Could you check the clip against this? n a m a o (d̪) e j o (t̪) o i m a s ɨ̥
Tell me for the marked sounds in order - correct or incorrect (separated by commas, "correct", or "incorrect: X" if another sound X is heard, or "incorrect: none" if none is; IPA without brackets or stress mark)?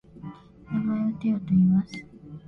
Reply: incorrect: t̪, correct